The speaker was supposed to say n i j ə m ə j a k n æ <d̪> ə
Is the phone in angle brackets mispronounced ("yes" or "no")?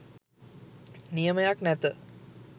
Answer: yes